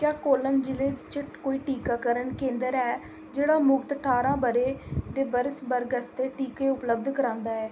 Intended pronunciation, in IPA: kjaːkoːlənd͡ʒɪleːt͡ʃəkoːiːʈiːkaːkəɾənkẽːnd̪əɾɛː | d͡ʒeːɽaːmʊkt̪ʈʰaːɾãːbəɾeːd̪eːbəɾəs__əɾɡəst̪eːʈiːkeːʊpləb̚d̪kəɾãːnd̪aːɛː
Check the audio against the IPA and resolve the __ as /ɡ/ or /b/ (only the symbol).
b